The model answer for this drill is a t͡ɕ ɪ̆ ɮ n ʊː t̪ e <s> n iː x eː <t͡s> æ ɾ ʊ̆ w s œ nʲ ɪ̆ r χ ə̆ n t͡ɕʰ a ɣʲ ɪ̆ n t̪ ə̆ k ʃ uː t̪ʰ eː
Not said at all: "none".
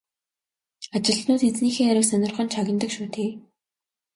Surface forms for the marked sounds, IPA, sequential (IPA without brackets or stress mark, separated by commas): t͡s, none